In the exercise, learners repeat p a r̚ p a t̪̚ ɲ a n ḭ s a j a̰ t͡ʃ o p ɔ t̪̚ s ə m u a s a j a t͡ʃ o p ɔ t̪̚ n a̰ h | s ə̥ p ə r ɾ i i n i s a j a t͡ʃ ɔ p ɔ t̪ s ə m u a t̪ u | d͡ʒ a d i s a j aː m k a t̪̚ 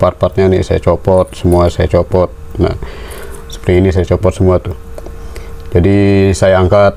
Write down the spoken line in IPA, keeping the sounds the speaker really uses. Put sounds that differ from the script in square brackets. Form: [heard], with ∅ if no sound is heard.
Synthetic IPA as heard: p a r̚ p a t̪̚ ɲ a n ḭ s a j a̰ t͡ʃ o p ɔ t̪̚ s ə m u a s a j a t͡ʃ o p ɔ t̪̚ n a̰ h | s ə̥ p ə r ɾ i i n i s a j a t͡ʃ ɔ p ɔ t̪ s ə m u a t̪ u | d͡ʒ a d i s a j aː [ŋ] k a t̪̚